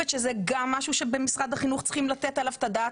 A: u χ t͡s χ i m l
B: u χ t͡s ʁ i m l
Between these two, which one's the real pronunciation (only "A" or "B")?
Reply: A